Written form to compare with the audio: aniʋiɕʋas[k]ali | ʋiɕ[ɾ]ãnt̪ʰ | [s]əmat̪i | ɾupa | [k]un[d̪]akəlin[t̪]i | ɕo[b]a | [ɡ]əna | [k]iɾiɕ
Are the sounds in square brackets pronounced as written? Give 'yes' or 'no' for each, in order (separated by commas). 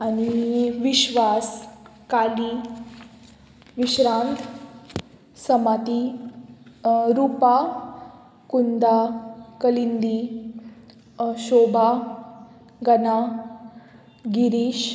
yes, yes, yes, yes, yes, no, yes, yes, no